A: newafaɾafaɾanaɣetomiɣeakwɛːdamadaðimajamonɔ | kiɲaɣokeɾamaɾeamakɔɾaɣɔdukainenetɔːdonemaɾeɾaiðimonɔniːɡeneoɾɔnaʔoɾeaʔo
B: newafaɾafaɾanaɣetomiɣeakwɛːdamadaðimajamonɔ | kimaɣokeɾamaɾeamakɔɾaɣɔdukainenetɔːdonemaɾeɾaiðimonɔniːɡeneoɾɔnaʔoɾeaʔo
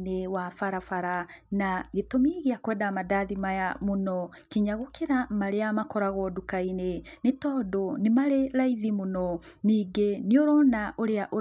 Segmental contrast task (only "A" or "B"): A